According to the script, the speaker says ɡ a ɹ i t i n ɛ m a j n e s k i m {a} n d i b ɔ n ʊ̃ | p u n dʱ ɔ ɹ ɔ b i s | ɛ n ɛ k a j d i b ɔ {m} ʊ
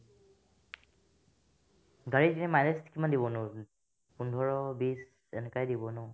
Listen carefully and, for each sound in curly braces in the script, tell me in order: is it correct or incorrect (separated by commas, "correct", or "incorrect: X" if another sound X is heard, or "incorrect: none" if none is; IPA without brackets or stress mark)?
correct, incorrect: n